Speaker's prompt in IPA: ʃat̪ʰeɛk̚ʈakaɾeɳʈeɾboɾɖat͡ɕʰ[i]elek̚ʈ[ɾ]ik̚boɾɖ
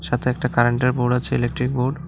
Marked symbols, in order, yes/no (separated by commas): no, yes